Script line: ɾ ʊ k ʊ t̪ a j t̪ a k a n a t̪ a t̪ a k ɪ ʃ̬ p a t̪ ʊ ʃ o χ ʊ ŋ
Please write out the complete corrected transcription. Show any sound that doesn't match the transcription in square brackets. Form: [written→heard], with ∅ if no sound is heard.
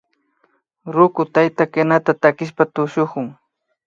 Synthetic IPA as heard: ɾ ʊ k ʊ t̪ a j t̪ a k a n a t̪ a t̪ a k ɪ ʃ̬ p a t̪ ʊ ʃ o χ ʊ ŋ

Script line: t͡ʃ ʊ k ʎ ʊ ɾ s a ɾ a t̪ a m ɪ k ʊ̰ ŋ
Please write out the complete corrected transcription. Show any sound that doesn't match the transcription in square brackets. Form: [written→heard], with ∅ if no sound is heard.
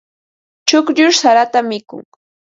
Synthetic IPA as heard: t͡ʃ ʊ k ʎ ʊ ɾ s a ɾ a t̪ a m ɪ k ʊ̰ ŋ

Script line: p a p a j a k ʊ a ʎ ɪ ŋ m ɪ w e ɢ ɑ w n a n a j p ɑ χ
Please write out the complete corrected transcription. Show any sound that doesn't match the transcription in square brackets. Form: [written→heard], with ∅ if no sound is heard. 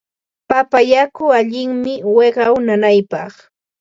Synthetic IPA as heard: p a p a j a k ʊ a ʎ ɪ ŋ m ɪ w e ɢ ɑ w n a n a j p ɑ χ

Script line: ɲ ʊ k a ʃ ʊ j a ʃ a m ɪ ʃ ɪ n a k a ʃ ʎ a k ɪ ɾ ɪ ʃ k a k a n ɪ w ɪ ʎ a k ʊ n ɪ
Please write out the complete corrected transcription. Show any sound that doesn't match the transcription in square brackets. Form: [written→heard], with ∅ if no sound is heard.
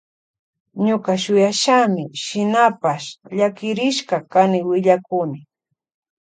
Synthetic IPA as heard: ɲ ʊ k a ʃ ʊ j a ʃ a m ɪ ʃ ɪ n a [k→p] a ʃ ʎ a k ɪ ɾ ɪ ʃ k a k a n ɪ w ɪ ʎ a k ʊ n ɪ

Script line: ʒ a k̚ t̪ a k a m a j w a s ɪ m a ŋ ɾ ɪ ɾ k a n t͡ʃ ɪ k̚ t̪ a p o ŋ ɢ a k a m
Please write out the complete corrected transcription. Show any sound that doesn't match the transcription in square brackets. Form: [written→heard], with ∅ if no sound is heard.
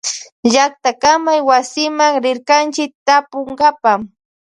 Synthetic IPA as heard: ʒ a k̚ t̪ a k a m a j w a s ɪ m a ŋ ɾ ɪ ɾ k a n t͡ʃ ɪ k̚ t̪ a p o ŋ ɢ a [k→p] a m

